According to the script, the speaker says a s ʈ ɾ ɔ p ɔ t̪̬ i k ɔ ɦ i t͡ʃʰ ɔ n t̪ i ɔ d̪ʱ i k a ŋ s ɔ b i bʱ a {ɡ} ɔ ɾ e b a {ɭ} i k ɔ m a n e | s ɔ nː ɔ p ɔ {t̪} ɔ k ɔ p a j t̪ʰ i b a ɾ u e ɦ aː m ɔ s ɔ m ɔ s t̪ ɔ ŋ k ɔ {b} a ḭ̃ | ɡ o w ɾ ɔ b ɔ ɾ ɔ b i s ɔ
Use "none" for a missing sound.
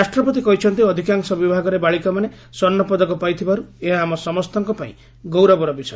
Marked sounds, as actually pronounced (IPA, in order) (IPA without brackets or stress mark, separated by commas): ɡ, ɭ, d̪, p